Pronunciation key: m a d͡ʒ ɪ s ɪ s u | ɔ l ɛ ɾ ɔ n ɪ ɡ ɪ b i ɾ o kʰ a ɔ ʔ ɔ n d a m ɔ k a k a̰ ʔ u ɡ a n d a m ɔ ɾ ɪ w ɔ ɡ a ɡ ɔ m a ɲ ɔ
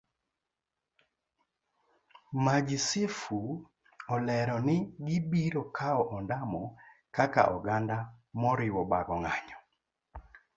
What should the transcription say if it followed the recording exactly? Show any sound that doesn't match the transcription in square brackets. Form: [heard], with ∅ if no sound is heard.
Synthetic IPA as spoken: m a d͡ʒ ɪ s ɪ [f] u | ɔ l ɛ ɾ ɔ n ɪ ɡ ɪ b i ɾ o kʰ a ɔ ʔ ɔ n d a m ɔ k a k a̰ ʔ [ɔ] ɡ a n d a m ɔ ɾ ɪ w ɔ [b] a ɡ ɔ [ŋ] a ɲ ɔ